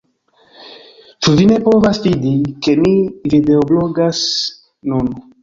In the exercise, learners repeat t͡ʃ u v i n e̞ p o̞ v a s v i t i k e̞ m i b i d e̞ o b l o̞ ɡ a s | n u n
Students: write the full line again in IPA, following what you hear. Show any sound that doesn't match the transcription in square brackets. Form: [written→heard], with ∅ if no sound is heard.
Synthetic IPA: t͡ʃ u v i n e̞ p o̞ v a s v i [t→d] i k e̞ m i [b→v] i d e̞ o b l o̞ ɡ a s | n u n